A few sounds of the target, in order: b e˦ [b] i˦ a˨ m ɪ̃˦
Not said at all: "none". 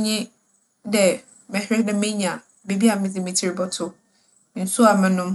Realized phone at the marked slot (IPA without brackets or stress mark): b